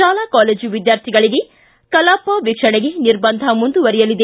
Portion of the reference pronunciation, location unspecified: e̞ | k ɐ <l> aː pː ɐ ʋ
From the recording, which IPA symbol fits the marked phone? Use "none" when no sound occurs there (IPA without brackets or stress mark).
l